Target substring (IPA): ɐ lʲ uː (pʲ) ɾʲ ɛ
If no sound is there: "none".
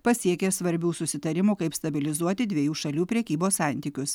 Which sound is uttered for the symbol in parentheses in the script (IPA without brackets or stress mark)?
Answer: pʲ